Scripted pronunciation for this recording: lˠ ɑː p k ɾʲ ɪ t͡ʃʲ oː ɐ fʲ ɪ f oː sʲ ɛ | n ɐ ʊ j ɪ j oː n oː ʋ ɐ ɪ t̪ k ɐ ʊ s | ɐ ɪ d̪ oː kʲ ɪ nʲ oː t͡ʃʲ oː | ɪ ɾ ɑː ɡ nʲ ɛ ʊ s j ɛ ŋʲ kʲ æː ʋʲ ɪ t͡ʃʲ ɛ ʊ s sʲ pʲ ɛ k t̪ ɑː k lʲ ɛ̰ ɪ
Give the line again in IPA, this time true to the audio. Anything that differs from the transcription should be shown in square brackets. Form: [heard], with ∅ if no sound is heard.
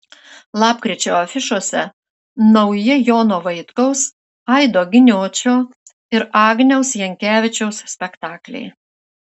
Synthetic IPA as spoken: lˠ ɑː p k ɾʲ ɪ t͡ʃʲ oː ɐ fʲ ɪ [ʃ] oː sʲ ɛ | n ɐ ʊ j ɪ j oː n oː ʋ ɐ ɪ t̪ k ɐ ʊ s | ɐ ɪ d̪ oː [ɡʲ] ɪ nʲ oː t͡ʃʲ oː | ɪ ɾ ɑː ɡ nʲ ɛ ʊ s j ɛ ŋʲ kʲ æː ʋʲ ɪ t͡ʃʲ ɛ ʊ s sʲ pʲ ɛ k t̪ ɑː k lʲ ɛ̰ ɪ